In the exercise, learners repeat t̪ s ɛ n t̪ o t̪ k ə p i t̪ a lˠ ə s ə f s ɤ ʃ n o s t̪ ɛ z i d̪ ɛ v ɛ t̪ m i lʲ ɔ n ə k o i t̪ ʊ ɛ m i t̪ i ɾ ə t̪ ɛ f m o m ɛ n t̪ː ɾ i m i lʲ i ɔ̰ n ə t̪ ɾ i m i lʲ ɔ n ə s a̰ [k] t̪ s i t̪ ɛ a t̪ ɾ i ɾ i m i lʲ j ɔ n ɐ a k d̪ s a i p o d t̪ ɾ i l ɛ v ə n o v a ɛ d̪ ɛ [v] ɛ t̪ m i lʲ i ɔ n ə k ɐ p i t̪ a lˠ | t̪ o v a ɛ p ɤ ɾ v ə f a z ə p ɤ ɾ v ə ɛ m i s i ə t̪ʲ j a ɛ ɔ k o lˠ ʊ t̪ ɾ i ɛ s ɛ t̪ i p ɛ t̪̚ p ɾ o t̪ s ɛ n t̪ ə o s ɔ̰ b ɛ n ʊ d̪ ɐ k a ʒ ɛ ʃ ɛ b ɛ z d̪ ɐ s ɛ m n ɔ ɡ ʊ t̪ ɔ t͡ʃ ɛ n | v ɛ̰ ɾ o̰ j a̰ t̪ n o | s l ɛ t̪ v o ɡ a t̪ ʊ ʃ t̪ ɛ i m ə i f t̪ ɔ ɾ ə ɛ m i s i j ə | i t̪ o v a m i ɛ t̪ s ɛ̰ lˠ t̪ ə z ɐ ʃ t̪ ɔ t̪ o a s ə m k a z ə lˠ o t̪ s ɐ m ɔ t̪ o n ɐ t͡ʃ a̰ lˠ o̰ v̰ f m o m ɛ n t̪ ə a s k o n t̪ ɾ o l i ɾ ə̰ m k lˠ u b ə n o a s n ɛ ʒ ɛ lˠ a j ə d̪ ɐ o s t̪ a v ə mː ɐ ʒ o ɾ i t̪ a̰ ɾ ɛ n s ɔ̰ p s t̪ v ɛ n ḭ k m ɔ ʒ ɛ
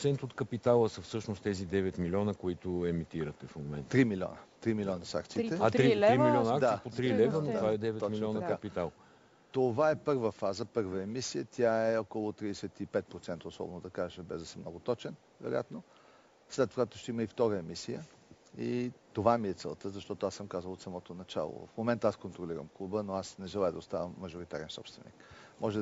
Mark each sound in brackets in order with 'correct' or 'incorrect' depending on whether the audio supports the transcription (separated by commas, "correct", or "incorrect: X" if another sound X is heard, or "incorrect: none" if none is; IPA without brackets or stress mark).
correct, correct